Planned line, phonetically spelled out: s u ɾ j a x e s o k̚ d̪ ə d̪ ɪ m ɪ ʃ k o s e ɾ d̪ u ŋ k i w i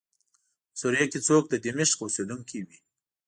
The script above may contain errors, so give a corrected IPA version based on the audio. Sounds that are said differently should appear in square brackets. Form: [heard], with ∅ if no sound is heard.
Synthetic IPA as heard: s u ɾ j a [k] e [t͡s] o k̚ d̪ ə d̪ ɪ m ɪ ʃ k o s e [∅] d̪ u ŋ k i w i